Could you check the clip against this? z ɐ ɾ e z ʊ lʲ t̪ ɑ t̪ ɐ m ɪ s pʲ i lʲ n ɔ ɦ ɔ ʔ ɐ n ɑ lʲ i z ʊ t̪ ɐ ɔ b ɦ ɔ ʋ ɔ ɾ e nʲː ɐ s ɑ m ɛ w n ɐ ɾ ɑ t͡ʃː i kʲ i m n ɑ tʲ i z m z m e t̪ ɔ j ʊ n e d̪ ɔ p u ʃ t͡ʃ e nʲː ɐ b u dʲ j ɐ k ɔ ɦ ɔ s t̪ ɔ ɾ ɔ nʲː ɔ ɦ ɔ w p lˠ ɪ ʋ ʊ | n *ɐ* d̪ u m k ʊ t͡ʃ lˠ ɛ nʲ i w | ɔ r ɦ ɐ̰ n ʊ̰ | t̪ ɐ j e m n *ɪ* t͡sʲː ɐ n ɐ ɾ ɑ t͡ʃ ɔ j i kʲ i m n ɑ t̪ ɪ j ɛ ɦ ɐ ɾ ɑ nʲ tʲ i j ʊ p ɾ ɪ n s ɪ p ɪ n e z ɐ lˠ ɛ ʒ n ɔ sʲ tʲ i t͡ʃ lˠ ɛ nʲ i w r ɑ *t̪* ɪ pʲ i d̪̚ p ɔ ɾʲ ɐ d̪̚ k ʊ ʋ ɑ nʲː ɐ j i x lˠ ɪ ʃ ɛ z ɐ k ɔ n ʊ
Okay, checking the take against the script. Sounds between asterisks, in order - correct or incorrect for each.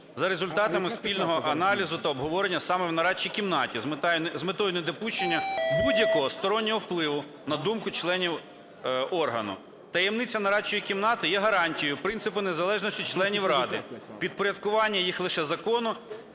correct, correct, incorrect

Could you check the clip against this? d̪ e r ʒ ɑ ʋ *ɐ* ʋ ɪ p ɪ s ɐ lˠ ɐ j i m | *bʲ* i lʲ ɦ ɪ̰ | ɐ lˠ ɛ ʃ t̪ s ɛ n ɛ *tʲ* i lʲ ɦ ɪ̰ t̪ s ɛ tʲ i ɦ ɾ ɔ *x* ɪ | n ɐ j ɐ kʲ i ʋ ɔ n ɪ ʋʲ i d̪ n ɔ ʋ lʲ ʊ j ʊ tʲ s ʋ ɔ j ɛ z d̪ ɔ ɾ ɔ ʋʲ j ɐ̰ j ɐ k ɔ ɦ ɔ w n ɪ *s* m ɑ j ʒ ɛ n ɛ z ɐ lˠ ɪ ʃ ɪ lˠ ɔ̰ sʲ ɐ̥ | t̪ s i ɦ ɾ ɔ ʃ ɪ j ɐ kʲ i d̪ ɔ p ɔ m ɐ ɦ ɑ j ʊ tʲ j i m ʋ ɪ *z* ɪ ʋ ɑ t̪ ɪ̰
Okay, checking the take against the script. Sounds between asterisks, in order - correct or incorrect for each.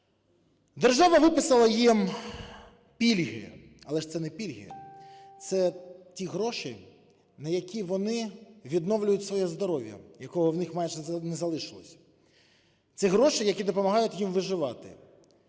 correct, incorrect, incorrect, incorrect, incorrect, incorrect

